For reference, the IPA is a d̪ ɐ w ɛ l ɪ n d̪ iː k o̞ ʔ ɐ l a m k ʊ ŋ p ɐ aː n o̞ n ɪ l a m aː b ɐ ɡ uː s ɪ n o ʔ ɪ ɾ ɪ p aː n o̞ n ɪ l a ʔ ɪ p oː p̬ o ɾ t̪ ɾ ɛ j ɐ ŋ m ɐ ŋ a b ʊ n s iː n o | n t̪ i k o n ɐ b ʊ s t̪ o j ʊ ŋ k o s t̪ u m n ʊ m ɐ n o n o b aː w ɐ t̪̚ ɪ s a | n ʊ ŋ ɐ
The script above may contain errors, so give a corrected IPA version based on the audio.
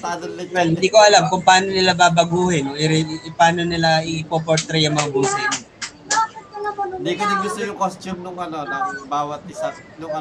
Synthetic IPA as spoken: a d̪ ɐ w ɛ l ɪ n d̪ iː k o̞ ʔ ɐ l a m k ʊ ŋ p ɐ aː n o̞ n ɪ l a b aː b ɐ ɡ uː h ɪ n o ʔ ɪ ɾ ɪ p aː n o̞ n ɪ l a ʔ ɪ p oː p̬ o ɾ t̪ ɾ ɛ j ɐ ŋ m ɐ ŋ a b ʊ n s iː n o | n d̪ i k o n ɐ ɡ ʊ s t̪ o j ʊ ŋ k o s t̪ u m n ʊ ŋ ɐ n o n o b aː w ɐ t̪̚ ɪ s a | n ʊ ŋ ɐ